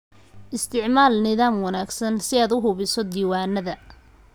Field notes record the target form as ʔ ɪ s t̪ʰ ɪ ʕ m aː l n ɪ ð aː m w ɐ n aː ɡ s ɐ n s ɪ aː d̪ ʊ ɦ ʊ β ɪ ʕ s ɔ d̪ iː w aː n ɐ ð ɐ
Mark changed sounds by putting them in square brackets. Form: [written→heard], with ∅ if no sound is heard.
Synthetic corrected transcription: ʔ ɪ s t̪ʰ ɪ ʕ m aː l n ɪ ð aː m w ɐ n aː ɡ s ɐ n s ɪ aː d̪ ʊ ɦ ʊ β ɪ [ʕ→∅] s ɔ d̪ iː w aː n ɐ ð ɐ